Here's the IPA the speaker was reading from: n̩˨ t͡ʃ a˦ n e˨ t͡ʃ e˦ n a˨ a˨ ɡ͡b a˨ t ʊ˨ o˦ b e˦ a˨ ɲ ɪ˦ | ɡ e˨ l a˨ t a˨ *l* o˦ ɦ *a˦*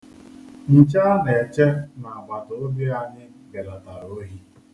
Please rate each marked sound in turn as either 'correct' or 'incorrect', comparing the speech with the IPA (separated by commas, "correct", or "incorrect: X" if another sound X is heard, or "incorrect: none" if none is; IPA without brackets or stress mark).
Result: incorrect: ɾ, incorrect: i˦